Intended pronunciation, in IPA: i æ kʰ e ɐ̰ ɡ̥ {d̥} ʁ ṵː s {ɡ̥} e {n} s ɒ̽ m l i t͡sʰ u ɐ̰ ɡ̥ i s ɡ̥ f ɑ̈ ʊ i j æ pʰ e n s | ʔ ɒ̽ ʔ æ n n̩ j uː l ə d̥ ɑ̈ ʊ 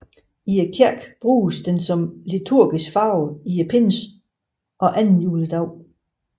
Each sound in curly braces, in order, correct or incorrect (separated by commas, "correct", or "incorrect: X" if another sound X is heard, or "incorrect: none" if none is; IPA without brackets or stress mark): incorrect: b̥, incorrect: d̥, correct